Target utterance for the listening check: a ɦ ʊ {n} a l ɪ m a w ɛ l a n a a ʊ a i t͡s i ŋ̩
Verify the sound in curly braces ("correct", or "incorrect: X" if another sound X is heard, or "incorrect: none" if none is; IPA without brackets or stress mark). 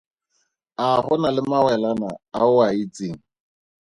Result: correct